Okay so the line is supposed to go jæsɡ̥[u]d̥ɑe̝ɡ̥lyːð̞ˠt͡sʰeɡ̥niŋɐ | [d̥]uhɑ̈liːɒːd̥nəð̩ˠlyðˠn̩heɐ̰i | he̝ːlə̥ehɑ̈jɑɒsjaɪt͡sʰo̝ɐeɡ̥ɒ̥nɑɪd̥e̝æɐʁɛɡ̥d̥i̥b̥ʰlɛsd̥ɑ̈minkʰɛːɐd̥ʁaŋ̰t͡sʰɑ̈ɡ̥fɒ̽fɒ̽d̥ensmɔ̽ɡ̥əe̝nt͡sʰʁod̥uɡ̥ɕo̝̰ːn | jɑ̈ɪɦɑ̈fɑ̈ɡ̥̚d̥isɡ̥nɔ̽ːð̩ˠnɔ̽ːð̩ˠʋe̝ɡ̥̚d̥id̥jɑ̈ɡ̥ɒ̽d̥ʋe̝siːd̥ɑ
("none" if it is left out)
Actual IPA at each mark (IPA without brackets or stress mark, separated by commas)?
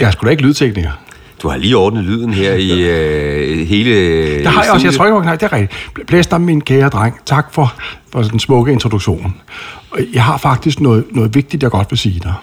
u, d̥